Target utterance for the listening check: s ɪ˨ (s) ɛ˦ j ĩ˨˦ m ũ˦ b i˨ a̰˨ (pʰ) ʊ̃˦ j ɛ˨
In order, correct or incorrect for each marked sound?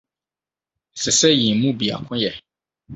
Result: correct, incorrect: kʰ

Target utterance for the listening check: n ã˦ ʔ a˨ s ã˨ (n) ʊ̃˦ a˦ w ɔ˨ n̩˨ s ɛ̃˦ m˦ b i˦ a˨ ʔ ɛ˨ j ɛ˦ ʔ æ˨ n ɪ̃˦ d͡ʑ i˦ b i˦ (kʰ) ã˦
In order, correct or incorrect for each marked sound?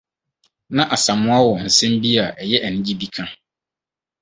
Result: incorrect: m, correct

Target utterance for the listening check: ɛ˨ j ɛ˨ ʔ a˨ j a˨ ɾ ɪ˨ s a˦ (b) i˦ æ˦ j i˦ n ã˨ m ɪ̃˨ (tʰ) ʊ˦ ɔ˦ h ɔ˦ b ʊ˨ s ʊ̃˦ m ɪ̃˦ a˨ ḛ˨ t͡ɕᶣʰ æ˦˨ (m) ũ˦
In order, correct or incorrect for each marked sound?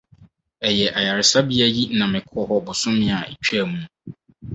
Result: correct, incorrect: kʰ, correct

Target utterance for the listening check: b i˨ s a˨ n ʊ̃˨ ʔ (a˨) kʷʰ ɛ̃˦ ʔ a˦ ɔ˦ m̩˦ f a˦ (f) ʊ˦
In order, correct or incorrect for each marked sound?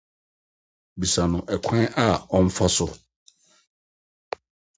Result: incorrect: ɛ˨, incorrect: s

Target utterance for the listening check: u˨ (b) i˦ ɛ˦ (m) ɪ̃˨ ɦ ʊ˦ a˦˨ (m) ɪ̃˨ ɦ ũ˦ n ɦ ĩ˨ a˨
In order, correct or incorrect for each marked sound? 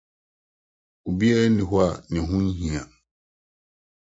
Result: correct, incorrect: n, incorrect: n

